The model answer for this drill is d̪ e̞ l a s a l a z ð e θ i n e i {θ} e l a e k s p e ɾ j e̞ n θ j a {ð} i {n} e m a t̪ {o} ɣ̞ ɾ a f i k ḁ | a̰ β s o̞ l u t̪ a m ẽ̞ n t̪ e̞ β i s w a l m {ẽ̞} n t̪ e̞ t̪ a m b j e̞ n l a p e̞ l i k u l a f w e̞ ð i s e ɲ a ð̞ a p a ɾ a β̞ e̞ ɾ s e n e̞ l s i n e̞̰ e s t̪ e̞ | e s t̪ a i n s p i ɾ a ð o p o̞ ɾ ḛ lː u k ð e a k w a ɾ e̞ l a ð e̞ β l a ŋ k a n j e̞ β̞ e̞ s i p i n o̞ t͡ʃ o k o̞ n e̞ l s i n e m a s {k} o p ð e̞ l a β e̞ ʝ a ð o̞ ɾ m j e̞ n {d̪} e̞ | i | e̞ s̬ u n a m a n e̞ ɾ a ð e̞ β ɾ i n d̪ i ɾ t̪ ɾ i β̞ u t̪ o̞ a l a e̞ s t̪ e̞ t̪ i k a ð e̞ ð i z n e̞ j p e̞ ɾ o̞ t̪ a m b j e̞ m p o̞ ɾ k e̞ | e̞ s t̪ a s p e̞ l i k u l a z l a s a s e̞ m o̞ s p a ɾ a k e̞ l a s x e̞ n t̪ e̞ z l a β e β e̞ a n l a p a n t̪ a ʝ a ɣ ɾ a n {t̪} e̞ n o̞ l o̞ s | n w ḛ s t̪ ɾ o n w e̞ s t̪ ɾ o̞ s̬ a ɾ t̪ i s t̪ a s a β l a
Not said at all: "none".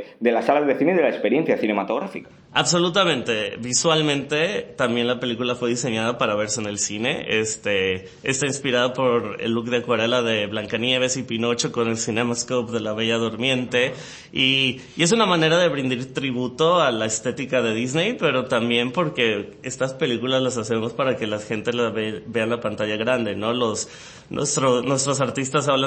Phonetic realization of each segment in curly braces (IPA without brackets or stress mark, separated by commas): ð, θ, n, o, ẽ̞, k, t̪, d̪